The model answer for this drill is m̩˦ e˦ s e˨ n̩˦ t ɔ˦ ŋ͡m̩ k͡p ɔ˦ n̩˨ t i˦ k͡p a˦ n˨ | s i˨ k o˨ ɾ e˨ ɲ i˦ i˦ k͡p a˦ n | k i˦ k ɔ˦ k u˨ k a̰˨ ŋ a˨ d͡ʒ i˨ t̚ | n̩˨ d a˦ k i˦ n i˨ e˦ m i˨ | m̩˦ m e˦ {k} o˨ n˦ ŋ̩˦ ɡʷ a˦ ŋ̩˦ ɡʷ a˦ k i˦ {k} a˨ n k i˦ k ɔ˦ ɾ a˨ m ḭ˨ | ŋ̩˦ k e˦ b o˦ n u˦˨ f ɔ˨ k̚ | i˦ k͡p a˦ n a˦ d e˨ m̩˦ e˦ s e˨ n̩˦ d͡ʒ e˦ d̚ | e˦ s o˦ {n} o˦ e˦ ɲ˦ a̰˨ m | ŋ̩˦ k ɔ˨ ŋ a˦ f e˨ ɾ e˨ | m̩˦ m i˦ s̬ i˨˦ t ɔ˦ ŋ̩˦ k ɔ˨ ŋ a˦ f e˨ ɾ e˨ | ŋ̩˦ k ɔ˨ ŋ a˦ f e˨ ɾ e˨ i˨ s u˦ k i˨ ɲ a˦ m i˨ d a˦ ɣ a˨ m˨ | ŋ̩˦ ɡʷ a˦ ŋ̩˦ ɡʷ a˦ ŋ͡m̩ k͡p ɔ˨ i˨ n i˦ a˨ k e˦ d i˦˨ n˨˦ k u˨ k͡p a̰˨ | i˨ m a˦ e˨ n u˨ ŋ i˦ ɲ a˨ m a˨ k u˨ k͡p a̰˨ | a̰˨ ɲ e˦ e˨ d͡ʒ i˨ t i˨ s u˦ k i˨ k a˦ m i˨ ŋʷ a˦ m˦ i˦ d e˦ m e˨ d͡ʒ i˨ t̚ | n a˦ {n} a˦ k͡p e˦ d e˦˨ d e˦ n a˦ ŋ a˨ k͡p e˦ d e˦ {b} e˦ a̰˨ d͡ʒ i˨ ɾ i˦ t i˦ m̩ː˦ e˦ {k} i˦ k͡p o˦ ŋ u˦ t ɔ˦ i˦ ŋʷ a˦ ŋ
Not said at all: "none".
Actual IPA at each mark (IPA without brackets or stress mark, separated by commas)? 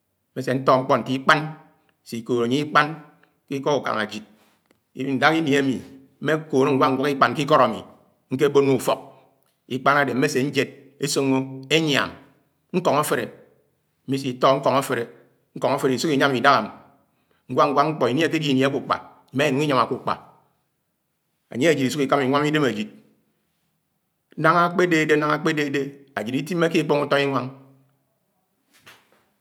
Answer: k, k͡p, ŋ, ŋ, d, k